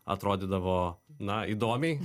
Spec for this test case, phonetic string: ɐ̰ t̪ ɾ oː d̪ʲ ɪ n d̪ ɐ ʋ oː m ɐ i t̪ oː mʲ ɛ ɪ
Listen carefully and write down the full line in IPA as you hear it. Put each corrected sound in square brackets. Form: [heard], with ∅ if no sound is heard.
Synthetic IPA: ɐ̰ t̪ ɾ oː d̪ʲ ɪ [∅] d̪ ɐ ʋ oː [n] ɐ i [d̪] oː mʲ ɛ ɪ